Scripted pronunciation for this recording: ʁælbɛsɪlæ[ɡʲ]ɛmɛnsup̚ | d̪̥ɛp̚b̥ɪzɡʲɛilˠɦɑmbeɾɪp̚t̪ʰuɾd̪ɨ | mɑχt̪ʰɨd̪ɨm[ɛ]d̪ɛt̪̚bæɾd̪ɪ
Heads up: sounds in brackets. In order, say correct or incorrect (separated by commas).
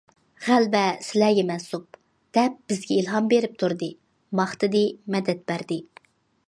correct, correct